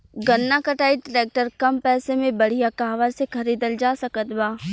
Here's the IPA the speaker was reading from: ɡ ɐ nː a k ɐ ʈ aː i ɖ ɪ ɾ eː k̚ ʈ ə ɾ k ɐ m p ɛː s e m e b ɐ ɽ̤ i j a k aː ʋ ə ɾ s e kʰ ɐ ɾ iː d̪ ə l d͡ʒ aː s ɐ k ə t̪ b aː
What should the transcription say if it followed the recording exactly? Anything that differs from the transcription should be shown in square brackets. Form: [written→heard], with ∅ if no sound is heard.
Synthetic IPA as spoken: ɡ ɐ nː a k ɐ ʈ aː i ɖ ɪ ɾ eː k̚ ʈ ə ɾ k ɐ m p ɛː s e m [e→ẽ] b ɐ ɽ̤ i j a k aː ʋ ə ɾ s e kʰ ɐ ɾ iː d̪ ə l d͡ʒ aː s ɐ k ə t̪ b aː